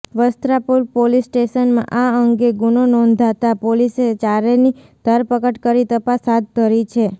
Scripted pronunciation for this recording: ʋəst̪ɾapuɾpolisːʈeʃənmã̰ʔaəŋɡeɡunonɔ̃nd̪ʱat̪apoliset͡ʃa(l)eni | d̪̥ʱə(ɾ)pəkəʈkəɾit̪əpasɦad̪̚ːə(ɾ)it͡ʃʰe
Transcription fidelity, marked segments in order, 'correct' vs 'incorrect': incorrect, correct, correct

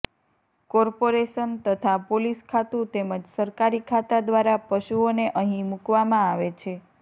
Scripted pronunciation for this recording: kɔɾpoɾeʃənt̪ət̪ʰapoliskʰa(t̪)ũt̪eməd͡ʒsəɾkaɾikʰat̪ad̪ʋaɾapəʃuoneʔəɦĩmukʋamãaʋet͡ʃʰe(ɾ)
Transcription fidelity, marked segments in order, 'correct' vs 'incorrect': correct, incorrect

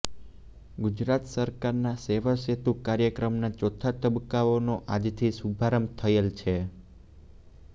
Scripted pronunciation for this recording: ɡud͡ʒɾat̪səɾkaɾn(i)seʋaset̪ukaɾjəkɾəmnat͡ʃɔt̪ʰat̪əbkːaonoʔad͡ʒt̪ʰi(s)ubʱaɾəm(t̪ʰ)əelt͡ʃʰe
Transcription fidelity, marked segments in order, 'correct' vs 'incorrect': incorrect, correct, correct

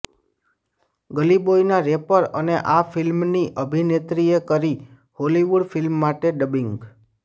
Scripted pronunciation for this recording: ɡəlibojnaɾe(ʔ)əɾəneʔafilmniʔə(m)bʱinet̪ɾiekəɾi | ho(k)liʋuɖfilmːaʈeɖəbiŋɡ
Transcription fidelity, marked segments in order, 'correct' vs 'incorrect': incorrect, incorrect, incorrect

